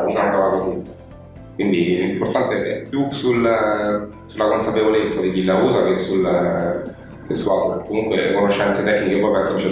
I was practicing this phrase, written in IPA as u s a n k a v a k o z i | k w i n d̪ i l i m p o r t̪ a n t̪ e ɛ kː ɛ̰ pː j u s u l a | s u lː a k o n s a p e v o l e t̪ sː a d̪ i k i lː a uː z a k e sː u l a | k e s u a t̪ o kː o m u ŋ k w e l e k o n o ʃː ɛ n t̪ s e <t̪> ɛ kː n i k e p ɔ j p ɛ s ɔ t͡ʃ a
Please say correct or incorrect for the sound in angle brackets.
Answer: correct